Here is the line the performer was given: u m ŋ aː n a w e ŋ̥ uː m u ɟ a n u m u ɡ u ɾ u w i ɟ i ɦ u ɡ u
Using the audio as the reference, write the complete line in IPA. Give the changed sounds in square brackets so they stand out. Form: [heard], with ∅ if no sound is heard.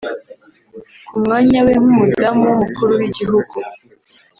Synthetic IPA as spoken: u m ŋ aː [ɲ] a w e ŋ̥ [u] m u [d] a [m] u m u [k] u ɾ u w i ɟ i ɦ u ɡ u